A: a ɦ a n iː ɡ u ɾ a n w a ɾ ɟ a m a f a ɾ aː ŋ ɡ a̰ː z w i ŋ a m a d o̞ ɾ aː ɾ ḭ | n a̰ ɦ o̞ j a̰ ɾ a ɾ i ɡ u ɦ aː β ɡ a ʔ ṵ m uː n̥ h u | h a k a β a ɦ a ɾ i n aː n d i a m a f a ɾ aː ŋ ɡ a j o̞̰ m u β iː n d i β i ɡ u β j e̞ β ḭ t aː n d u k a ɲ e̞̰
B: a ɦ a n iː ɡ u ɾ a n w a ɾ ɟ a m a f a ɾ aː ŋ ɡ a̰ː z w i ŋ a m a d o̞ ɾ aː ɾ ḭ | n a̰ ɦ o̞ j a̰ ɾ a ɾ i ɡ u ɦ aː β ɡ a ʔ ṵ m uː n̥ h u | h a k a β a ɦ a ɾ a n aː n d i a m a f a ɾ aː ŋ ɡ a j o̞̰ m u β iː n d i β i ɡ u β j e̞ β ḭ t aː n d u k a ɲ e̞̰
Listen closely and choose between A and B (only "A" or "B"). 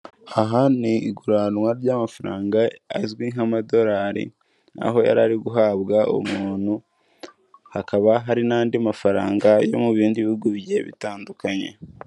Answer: A